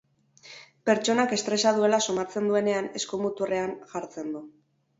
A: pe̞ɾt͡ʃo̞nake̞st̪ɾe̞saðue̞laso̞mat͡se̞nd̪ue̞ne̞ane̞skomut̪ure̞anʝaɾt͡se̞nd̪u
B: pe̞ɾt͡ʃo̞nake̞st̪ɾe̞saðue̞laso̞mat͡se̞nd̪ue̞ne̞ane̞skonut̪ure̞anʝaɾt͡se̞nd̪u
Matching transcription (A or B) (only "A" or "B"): A